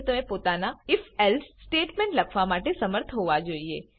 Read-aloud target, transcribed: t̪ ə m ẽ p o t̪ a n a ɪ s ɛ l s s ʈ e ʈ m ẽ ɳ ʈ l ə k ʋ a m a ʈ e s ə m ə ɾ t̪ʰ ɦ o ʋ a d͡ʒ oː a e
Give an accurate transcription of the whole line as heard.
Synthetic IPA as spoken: t̪ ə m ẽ p o t̪ a n a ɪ f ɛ l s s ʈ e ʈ m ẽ ɳ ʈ l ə kʰ ʋ a m a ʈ e s ə m ə ɾ t̪ʰ ɦ o ʋ a d͡ʒ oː i e